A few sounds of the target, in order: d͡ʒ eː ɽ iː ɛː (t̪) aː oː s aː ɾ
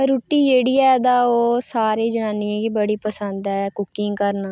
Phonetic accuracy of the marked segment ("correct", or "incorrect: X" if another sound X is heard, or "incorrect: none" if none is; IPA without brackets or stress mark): incorrect: d̪